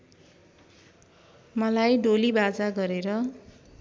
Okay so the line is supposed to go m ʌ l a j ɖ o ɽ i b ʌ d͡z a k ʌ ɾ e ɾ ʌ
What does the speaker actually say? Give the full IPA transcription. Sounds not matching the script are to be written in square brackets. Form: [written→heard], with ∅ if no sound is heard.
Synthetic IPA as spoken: m ʌ l a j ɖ o [ɽ→l] i b [ʌ→a] d͡z a [k→ɡ] ʌ ɾ e ɾ ʌ